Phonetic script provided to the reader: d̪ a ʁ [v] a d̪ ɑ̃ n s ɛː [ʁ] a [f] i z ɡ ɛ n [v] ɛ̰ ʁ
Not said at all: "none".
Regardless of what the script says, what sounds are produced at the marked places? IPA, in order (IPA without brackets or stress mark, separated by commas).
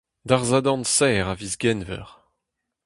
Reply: z, ʁ, v, v